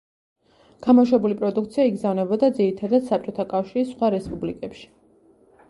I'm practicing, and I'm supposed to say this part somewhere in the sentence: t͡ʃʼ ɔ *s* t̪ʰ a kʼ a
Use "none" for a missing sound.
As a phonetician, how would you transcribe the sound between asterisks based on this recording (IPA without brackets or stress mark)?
none